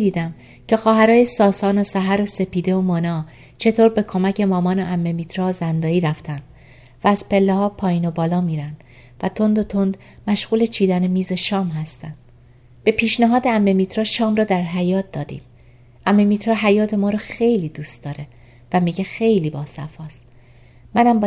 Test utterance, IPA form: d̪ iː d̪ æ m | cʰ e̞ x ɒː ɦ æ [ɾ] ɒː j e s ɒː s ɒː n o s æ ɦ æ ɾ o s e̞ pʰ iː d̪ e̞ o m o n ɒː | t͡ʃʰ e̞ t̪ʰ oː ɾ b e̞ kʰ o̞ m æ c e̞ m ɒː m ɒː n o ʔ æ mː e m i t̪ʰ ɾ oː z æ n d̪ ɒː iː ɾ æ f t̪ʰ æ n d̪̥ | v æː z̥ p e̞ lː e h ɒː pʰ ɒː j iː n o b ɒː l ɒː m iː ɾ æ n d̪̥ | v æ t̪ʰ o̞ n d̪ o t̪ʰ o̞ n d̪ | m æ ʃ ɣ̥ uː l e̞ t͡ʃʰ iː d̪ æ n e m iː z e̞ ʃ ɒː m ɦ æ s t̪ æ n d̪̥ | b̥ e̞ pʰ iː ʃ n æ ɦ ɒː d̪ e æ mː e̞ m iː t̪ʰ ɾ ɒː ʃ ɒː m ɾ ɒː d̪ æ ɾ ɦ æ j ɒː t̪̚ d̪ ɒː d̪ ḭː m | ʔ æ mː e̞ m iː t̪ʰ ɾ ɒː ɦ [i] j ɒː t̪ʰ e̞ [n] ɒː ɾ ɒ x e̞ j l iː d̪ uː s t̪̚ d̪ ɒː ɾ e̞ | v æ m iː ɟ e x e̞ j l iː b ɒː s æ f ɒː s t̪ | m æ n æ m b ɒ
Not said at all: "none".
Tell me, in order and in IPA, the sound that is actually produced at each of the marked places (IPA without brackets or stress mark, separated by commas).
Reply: ɾ, æ, m